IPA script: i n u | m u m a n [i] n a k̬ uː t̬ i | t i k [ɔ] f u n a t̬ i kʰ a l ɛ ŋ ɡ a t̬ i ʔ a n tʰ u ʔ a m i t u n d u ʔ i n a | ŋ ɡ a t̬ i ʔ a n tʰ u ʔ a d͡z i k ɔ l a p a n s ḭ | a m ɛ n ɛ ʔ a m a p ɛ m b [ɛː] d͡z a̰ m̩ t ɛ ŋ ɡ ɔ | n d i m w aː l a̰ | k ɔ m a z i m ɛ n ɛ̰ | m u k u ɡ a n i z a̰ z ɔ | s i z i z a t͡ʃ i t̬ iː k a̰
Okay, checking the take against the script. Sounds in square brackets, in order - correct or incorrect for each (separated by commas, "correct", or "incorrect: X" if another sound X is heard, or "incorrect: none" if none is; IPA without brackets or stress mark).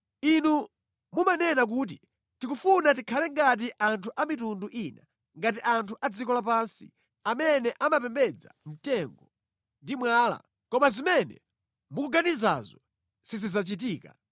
incorrect: ɛ, incorrect: u, incorrect: ɛ